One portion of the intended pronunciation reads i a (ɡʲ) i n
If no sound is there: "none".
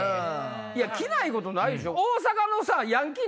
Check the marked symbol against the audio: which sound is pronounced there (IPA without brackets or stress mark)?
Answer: kʲ